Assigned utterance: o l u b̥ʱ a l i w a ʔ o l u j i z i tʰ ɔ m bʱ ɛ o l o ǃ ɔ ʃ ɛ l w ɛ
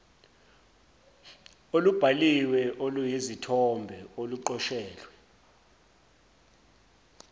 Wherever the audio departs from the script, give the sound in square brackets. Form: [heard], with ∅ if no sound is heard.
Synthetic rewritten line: o l u b̥ʱ a l i w [ɛ] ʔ o l u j i z i tʰ ɔ m bʱ ɛ o l [u] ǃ ɔ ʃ [ɛː] l w ɛ